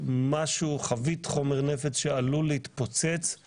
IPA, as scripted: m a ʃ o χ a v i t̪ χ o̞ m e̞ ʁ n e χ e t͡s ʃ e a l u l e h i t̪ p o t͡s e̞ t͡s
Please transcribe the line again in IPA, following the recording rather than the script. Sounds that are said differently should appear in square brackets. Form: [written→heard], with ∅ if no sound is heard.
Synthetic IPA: m a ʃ [o→u] χ a v i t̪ χ o̞ m e̞ ʁ n e [χ→f] e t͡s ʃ e a l u l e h i t̪ p o t͡s e̞ t͡s